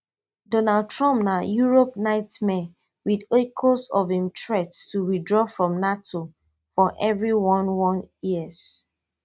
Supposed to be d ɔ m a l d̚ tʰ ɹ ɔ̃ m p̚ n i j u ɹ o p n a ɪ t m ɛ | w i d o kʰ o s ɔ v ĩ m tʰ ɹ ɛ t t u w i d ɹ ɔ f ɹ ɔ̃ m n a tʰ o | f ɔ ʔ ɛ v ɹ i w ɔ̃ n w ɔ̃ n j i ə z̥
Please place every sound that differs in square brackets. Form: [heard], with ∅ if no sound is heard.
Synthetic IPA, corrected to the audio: d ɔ [n] a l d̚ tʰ ɹ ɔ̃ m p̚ n [a] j u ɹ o p n a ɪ t m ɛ | w i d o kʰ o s ɔ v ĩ m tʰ ɹ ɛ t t u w i d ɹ ɔ f ɹ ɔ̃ m n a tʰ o | f ɔ ʔ ɛ v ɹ i w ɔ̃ n w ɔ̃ n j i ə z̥